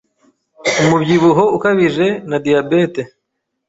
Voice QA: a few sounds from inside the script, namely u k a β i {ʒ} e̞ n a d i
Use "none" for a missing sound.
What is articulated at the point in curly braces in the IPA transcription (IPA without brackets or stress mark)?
ʒ